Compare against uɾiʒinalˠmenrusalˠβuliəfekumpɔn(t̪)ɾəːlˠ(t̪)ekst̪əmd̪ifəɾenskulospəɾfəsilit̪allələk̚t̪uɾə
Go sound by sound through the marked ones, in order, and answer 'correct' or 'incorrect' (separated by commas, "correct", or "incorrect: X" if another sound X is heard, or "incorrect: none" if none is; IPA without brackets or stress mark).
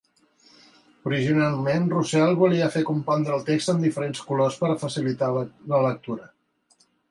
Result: incorrect: d̪, correct